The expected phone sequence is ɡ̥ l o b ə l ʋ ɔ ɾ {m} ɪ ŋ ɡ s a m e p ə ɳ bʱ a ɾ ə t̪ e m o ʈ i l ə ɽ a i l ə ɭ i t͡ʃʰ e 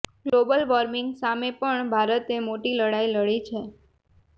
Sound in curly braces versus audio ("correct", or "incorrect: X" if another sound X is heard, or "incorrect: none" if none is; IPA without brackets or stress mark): correct